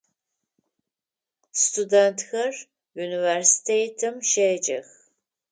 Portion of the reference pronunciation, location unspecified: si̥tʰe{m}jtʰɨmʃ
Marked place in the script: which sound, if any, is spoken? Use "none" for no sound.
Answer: none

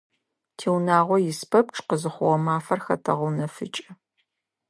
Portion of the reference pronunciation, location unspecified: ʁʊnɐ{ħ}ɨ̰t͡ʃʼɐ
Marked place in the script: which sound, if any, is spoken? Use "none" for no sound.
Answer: f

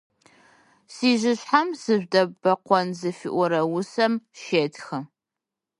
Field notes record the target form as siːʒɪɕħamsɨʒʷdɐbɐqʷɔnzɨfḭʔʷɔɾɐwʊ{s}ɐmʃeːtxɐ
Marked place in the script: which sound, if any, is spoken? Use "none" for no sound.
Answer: s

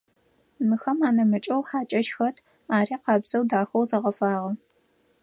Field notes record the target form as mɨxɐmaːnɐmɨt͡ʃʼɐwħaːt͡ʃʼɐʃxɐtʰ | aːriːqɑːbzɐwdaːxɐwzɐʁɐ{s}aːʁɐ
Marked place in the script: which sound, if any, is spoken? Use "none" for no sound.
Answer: f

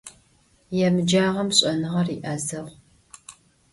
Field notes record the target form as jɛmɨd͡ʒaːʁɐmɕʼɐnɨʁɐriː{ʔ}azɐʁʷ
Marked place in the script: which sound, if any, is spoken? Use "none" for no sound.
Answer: ʔ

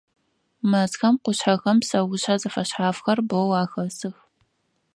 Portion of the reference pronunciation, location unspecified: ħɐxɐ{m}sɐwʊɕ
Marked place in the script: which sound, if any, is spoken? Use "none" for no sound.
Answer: m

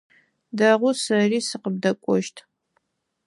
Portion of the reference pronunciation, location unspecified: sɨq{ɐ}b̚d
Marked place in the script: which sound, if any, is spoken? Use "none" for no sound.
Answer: ə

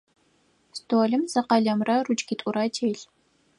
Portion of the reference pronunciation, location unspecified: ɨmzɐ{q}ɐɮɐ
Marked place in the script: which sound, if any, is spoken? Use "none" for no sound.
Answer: q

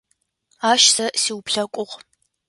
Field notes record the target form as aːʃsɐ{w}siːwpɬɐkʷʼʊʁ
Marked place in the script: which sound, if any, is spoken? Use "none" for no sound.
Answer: none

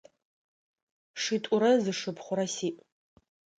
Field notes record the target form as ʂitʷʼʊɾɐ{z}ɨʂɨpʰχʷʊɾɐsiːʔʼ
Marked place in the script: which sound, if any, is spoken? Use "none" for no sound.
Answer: z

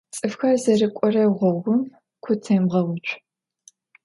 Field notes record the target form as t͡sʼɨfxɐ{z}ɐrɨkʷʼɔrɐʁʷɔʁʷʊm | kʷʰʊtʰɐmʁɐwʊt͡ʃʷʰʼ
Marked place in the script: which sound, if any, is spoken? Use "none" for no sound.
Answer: z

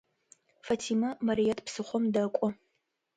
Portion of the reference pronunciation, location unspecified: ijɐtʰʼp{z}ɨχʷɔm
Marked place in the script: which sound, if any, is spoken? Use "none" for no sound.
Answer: s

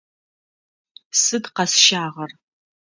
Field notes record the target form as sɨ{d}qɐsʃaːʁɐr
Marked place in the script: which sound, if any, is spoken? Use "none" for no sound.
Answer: d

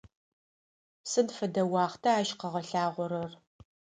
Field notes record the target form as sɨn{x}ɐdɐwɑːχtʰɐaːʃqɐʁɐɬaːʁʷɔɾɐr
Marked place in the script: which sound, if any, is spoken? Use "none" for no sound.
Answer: f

